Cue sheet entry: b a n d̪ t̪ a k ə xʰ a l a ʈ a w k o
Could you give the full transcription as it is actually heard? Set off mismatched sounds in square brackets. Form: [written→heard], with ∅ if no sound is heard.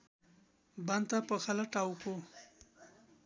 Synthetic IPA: b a n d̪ t̪ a [k→p] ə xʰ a l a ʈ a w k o